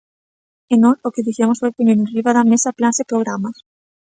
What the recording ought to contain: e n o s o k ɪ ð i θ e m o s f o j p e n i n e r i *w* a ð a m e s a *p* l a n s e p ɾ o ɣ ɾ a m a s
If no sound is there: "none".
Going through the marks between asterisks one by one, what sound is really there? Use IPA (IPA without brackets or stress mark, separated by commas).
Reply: β, p